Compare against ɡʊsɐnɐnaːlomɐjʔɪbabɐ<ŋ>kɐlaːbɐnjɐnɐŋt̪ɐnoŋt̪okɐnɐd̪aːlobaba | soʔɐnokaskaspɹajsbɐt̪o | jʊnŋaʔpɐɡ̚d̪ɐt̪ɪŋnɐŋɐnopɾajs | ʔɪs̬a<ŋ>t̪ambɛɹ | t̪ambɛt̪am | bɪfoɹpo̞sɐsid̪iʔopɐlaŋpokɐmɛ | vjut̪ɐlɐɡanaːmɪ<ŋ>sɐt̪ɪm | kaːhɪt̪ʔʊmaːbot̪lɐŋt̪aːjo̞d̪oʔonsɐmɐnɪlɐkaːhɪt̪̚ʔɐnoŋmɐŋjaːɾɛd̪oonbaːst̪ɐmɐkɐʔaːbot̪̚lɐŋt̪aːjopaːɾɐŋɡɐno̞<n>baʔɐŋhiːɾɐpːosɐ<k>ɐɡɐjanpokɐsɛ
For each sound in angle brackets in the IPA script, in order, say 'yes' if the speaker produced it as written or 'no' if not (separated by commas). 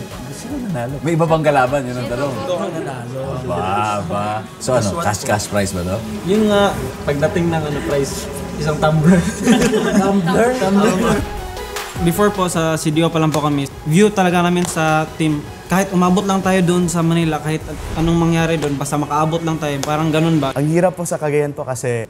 yes, yes, no, yes, yes